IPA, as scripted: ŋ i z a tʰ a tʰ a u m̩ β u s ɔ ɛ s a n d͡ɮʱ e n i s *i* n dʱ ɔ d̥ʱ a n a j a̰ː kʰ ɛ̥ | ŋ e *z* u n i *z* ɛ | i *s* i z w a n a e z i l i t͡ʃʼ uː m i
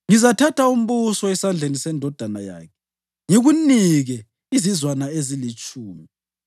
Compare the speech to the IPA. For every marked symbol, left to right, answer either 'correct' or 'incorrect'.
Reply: incorrect: ɛ, incorrect: ɣ, incorrect: ɣ, incorrect: z

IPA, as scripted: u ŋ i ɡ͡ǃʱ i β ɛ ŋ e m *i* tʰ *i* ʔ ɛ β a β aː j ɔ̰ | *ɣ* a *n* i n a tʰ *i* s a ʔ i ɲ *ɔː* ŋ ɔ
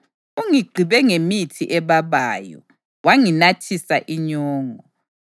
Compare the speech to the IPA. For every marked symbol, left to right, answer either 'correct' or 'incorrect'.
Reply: correct, correct, incorrect: w, incorrect: ŋ, correct, correct

